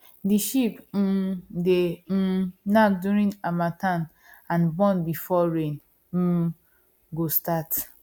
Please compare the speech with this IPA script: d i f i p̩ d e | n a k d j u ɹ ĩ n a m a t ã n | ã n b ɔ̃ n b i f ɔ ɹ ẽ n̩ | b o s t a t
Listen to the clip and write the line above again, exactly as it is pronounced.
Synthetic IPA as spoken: d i ʃ i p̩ d e | n a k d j u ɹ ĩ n a m a t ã n | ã n b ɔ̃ n b i f ɔ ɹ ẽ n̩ | ɡ o s t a t